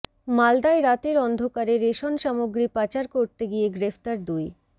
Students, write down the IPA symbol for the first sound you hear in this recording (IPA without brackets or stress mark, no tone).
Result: m